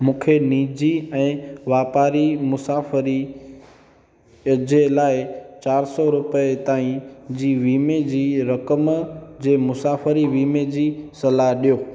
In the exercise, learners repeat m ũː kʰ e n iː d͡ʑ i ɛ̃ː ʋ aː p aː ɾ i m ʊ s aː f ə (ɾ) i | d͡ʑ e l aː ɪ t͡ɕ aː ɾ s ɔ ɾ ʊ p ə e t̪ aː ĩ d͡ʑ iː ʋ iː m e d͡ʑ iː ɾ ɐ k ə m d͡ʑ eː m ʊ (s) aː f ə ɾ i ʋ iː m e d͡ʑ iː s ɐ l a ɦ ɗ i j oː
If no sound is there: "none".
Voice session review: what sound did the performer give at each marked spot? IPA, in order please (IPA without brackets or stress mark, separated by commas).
ɾ, s